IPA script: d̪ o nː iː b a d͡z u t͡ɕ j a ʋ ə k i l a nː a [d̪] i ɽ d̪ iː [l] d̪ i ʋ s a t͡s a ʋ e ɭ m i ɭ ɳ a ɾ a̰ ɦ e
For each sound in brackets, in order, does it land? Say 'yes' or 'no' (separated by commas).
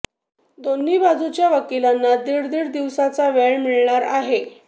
yes, no